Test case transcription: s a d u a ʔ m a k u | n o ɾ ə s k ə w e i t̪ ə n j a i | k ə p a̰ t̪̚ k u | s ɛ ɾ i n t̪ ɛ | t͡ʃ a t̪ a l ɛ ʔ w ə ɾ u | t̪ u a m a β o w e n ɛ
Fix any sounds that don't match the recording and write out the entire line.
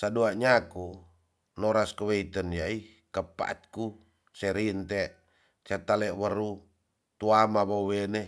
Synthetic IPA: s a d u a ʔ ɲ a k u | n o ɾ a s k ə w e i t̪ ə n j a i | k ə p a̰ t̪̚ k u | s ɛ ɾ i n t̪ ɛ | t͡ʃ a t̪ a l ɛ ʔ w ə ɾ u | t̪ u a m a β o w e n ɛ